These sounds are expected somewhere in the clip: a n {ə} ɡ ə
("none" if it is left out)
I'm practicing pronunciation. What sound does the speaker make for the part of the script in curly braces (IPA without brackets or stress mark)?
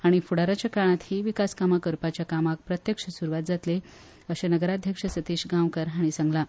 ə